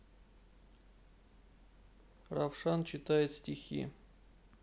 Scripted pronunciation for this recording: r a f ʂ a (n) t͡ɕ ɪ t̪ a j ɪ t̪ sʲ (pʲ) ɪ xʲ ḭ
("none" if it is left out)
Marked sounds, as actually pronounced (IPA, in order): n, tʲ

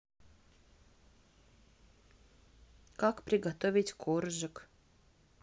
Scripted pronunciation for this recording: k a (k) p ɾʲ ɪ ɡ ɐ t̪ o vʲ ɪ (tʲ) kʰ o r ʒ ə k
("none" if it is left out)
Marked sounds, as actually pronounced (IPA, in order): k, tʲ

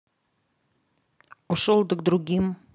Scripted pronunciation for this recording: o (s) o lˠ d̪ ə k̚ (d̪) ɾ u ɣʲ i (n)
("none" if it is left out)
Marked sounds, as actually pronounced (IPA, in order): ʃ, d̪, m

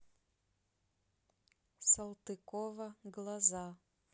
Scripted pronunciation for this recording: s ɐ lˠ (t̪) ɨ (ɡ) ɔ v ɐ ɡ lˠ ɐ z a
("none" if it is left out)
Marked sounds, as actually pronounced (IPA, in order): t̪, k

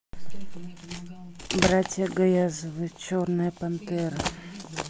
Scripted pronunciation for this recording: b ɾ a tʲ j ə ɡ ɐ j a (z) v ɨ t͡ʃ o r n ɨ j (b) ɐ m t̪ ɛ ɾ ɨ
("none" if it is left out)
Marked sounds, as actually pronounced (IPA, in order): z, p

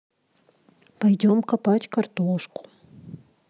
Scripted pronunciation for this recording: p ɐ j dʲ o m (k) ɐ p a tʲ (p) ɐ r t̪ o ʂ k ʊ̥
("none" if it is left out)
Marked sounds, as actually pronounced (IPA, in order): k, k

